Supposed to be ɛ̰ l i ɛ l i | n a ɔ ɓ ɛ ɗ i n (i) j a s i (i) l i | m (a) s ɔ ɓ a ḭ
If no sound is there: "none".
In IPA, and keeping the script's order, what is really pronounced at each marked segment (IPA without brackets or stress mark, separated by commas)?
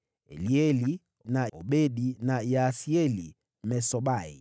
a, ɛ, ɛ